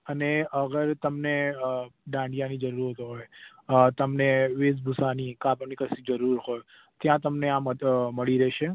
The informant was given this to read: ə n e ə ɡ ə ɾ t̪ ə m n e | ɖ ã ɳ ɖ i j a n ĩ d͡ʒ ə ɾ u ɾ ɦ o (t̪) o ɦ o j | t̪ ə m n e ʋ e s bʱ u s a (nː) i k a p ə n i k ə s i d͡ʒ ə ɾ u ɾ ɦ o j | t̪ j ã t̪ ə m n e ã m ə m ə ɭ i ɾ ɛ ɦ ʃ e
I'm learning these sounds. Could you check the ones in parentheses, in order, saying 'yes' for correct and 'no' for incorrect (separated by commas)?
yes, no